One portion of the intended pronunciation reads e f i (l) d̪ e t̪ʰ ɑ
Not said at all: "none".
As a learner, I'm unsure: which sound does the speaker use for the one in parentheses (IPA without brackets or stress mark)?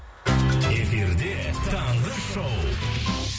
ɾ